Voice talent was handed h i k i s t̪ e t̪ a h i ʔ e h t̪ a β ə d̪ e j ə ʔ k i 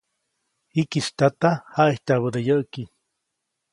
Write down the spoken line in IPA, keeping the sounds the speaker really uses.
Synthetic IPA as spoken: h i k i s t̪ a t̪ a h a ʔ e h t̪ a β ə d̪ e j ə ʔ k i